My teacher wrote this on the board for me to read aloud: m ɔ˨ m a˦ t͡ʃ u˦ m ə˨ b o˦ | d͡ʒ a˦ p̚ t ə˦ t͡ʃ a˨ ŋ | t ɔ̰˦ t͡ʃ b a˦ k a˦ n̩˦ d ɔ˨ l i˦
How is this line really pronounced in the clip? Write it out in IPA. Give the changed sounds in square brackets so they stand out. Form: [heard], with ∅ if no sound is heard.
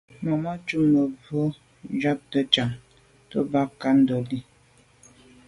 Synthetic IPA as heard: m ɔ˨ m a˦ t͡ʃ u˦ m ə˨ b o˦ | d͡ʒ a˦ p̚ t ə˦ t͡ʃ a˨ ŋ | t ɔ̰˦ [∅] b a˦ k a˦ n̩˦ d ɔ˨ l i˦